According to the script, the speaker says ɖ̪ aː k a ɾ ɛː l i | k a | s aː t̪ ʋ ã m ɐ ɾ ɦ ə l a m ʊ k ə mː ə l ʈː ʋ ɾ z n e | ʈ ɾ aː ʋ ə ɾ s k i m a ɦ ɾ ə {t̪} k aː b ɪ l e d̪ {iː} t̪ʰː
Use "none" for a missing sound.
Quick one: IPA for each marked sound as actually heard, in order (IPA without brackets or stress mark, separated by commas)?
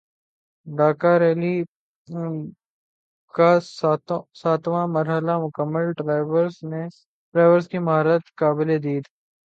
t̪, iː